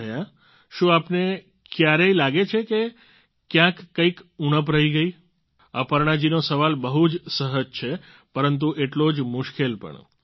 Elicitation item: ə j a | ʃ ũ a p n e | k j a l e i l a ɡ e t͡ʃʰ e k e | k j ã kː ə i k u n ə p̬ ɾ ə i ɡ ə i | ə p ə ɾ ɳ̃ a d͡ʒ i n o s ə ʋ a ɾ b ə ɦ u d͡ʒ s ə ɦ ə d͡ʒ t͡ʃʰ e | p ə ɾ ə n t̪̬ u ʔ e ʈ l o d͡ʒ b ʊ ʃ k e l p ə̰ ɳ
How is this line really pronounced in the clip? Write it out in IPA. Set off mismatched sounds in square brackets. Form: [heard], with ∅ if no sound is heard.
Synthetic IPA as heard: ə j a | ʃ ũ a p n e | k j a [ɾ] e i l a ɡ e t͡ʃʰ e k e | k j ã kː ə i k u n ə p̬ ɾ ə i ɡ ə i | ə p ə ɾ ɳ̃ a d͡ʒ i n o s ə ʋ a [l] b ə ɦ u d͡ʒ s ə ɦ ə d͡ʒ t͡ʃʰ e | p ə ɾ ə n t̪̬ u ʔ e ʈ l o d͡ʒ [m] ʊ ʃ k e l p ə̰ ɳ

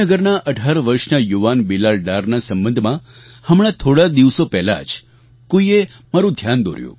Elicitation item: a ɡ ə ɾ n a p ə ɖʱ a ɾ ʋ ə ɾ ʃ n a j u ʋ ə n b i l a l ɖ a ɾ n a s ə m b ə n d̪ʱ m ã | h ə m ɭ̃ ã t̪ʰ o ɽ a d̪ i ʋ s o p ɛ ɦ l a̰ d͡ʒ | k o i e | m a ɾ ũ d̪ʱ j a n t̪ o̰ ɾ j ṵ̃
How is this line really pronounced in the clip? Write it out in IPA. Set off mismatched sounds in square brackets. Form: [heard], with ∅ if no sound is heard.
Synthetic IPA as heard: [ə] ɡ ə ɾ n a [ʔ] ə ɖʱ a ɾ ʋ ə ɾ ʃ n a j u ʋ [a] n b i l a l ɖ a ɾ n a s ə m b ə n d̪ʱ m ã | h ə m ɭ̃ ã t̪ʰ o ɽ a d̪ i ʋ s o p ɛ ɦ l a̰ d͡ʒ | k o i e | m a ɾ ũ d̪ʱ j a n [d̪] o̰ ɾ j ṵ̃

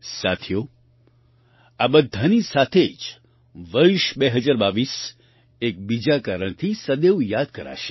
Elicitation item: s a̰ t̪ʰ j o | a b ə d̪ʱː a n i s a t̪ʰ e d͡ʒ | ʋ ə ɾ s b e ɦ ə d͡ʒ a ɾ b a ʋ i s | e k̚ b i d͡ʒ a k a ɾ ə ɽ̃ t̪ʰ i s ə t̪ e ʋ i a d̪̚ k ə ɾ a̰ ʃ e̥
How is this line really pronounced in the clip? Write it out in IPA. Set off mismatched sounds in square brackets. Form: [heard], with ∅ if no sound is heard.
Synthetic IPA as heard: s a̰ t̪ʰ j o | a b ə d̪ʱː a n i s a t̪ʰ e d͡ʒ | ʋ ə ɾ [ʃ] b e ɦ ə d͡ʒ a ɾ b a ʋ i s | e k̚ b i d͡ʒ a k a ɾ ə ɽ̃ t̪ʰ i s ə [d̪] e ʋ [j] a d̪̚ k ə ɾ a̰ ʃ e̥

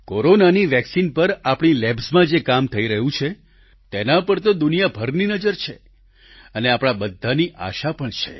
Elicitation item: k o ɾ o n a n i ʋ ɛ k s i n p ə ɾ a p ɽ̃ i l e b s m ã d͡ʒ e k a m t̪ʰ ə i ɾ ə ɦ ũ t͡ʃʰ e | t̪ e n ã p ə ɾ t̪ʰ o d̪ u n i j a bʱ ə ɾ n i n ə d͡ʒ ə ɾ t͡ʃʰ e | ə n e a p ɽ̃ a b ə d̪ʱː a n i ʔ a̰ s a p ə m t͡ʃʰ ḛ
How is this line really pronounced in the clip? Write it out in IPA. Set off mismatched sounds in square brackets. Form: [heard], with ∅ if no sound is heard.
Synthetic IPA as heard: k o ɾ o n a n i ʋ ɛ k s i n p ə ɾ a p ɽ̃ i l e b s m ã d͡ʒ e k a m t̪ʰ ə i ɾ ə ɦ ũ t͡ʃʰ e | t̪ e n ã p ə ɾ [t̪] o d̪ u n i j a bʱ ə ɾ n i n ə d͡ʒ ə ɾ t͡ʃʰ e | ə n e a p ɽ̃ a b ə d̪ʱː a n i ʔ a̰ [ʃ] a p ə [ɳ] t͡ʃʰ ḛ

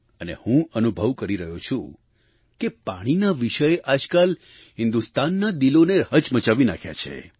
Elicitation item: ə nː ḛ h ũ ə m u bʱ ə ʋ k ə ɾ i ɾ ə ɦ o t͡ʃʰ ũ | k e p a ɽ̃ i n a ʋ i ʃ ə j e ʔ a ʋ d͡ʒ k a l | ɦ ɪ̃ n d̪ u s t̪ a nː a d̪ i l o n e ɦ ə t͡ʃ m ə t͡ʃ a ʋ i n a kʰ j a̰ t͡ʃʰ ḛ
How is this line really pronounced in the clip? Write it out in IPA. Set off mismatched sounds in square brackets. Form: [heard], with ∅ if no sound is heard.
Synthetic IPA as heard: ə [n] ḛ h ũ ə [n] u bʱ ə ʋ k ə ɾ i ɾ ə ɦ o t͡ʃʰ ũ | k e p a ɽ̃ i n a ʋ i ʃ ə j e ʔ a [∅] d͡ʒ k a l | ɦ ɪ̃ n d̪ u s t̪ a nː a d̪ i l o n e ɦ ə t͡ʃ m ə t͡ʃ a ʋ i n a kʰ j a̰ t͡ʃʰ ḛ

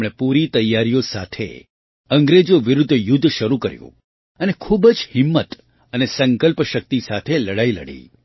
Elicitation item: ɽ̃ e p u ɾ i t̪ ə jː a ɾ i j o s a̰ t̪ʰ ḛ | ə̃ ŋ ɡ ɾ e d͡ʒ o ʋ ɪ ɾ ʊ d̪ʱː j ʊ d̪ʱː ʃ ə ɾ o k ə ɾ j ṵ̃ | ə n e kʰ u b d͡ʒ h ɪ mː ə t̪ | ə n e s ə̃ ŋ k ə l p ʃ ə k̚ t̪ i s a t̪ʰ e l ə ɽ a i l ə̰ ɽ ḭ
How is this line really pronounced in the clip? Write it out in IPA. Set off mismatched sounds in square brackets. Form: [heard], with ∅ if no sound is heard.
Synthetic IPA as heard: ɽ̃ e p u ɾ i t̪ ə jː a ɾ i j o s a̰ t̪ʰ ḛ | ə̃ ŋ ɡ ɾ e d͡ʒ o ʋ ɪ ɾ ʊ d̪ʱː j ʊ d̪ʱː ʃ ə ɾ [u] k ə ɾ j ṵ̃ | ə n e kʰ u b d͡ʒ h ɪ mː ə t̪ | ə n e s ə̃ ŋ k ə l p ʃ ə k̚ t̪ i s a t̪ʰ e l ə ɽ a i l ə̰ ɽ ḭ

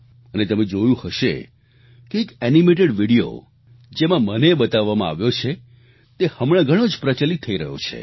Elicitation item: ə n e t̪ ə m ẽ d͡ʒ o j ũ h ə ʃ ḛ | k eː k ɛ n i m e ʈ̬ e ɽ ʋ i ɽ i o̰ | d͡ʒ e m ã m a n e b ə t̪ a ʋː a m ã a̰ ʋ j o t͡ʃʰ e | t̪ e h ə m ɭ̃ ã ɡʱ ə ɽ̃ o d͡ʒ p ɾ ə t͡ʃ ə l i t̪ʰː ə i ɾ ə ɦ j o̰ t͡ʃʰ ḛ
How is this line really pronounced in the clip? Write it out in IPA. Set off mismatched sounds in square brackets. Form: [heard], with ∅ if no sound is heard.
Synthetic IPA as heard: ə n e t̪ ə m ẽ d͡ʒ o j ũ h ə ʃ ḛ | k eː k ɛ n i m e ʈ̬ e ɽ ʋ i ɽ i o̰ | d͡ʒ e m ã m [ə] n e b ə t̪ a ʋː a m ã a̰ ʋ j o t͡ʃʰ e | t̪ e h ə m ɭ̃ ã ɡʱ ə ɽ̃ o d͡ʒ p ɾ ə t͡ʃ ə l i t̪ʰː ə i ɾ ə ɦ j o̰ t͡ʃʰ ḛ

